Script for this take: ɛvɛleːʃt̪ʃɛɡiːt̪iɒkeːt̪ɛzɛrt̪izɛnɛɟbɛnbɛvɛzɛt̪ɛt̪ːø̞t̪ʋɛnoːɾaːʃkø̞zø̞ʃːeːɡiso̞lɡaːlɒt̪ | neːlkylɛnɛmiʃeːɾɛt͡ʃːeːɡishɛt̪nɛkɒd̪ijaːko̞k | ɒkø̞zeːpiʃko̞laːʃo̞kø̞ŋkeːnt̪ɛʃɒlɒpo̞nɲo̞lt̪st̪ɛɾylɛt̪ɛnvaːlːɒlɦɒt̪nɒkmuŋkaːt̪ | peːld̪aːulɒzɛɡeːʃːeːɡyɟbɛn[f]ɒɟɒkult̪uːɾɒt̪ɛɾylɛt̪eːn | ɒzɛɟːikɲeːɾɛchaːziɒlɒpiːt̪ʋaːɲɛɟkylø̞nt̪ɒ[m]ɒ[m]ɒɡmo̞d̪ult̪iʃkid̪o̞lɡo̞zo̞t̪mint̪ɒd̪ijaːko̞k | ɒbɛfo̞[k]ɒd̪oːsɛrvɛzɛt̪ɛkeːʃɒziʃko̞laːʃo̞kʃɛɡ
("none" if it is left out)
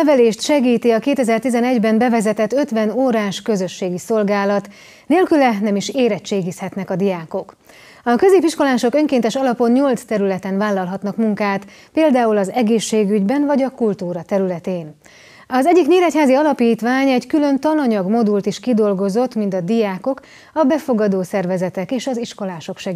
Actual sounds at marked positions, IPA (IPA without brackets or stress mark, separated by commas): v, n, ɲ, ɡ